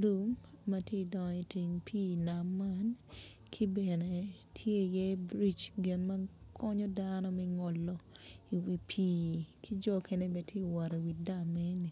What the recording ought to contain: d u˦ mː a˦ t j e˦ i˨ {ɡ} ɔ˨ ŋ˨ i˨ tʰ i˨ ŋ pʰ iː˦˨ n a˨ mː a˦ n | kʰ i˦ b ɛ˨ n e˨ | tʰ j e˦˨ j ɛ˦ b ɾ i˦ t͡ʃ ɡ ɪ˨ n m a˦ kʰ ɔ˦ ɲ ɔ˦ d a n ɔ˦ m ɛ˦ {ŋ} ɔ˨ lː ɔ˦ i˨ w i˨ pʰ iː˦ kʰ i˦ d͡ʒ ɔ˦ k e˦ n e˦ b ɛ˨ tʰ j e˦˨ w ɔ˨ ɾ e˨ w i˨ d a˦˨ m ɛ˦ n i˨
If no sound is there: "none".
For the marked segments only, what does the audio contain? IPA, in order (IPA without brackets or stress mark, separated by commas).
d, ŋ